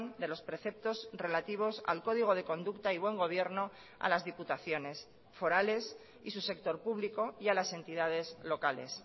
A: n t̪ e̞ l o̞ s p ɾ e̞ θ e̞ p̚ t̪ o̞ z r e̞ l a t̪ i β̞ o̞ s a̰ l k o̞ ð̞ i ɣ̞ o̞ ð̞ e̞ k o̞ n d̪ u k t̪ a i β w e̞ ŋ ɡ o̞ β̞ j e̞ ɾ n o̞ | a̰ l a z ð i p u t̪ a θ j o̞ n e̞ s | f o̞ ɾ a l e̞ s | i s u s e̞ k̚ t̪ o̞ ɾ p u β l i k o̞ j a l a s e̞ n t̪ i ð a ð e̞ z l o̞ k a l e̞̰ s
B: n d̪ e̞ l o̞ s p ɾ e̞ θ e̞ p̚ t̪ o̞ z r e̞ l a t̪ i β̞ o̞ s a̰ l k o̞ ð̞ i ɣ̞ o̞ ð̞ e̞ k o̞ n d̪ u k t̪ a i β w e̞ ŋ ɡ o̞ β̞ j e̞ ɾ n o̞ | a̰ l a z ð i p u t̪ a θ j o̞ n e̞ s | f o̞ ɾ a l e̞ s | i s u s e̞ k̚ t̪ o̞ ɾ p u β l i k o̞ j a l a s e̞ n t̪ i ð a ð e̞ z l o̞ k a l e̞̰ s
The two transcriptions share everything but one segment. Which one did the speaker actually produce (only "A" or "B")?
B